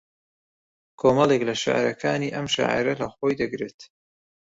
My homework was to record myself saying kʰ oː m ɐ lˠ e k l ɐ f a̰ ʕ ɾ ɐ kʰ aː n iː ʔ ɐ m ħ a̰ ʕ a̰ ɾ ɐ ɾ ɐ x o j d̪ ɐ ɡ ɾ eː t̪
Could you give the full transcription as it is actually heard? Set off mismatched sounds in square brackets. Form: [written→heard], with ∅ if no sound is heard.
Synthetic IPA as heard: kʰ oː m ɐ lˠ e k l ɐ [f→ʃ] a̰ ʕ ɾ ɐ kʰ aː n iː ʔ ɐ m [ħ→ʃ] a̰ ʕ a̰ ɾ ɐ [ɾ→l] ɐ x o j d̪ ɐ ɡ ɾ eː t̪